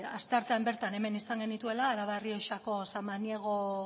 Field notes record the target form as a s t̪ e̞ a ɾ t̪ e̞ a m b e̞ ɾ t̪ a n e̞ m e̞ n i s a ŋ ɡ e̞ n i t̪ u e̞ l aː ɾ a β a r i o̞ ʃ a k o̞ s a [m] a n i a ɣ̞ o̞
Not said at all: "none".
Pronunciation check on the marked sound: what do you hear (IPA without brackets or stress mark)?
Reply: m